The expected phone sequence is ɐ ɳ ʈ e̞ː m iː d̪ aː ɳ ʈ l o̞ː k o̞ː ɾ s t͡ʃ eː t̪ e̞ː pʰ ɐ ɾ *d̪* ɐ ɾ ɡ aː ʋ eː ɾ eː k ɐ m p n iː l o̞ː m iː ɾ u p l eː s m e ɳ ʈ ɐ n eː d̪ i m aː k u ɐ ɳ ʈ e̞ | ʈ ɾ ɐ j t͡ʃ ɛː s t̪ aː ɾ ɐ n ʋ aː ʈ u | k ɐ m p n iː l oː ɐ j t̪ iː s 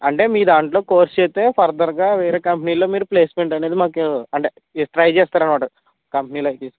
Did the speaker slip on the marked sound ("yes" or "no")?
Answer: no